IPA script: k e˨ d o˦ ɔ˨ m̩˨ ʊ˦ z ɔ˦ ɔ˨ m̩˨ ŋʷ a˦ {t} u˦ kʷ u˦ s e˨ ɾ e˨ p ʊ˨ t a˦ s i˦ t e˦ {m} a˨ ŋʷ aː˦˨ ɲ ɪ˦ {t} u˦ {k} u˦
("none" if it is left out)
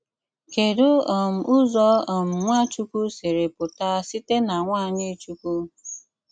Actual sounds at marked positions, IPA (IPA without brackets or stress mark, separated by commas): t͡ʃ, n, t͡ʃ, k